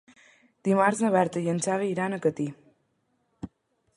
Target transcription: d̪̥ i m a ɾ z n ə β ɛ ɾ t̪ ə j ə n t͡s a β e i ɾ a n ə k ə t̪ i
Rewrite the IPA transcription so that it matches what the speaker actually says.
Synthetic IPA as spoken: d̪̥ i m a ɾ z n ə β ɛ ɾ t̪ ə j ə n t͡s a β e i ɾ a n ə k ə t̪ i